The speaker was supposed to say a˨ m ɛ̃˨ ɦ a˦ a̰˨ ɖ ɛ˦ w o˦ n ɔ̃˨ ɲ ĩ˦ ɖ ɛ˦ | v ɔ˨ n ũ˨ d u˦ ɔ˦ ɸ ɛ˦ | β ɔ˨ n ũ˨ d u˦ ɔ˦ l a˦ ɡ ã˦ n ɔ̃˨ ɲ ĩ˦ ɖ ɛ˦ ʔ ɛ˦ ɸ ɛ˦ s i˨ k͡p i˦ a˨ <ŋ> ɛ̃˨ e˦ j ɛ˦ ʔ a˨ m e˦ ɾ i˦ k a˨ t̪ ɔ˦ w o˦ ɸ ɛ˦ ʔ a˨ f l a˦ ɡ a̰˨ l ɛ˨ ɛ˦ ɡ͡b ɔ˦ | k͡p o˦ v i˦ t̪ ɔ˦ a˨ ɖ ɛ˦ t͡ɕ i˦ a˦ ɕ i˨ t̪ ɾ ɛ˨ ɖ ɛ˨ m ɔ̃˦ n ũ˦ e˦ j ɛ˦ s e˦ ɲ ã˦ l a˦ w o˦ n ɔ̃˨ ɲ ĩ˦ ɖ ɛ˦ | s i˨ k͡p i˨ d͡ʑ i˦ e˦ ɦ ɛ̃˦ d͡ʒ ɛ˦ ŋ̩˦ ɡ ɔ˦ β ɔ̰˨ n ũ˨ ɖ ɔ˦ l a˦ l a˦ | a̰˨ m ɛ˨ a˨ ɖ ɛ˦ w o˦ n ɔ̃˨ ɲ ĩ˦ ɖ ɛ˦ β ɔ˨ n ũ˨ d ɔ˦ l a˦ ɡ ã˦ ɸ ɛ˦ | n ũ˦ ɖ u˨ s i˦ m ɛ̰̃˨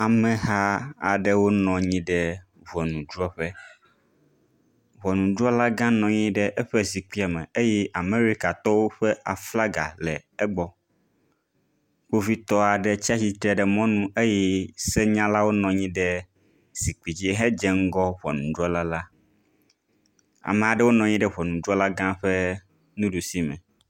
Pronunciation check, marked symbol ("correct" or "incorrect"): incorrect